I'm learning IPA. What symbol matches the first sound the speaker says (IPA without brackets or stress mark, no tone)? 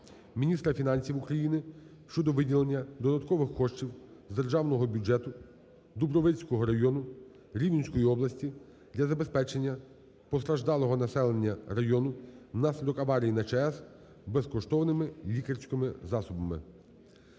mʲ